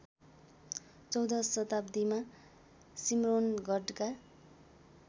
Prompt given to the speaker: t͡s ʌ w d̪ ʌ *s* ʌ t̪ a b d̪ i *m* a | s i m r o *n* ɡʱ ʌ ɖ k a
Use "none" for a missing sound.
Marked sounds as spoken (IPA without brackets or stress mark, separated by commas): s, m, n